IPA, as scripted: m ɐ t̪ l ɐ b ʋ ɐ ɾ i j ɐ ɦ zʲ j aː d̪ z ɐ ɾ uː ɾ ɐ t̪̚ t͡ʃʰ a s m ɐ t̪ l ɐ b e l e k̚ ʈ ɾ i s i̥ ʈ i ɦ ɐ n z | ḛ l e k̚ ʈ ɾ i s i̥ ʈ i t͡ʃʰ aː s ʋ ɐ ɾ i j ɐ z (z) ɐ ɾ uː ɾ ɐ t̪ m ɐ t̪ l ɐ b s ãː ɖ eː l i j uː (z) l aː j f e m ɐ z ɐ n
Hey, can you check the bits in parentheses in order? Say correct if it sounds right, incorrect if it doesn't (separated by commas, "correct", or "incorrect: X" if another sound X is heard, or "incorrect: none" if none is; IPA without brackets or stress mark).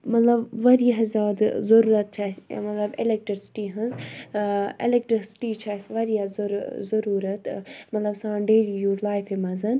correct, correct